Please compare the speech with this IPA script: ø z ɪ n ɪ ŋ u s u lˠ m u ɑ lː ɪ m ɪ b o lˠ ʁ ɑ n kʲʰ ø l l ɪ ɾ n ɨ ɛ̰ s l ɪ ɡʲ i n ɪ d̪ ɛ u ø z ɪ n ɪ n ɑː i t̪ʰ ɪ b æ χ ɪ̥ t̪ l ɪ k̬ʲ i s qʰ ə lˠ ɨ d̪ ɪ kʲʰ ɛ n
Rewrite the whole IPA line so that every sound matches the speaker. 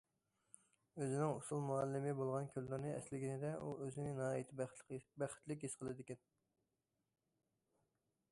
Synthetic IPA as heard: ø z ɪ n ɪ ŋ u s u lˠ m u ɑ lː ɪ m ɪ b o lˠ ʁ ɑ n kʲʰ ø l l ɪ ɾ n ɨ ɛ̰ s l ɪ ɡʲ i n ɪ d̪ ɛ u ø z ɪ n ɪ n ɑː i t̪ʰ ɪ b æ χ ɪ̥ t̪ l ɪ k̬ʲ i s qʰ ə lˠ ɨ d̪ ɪ kʲ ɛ n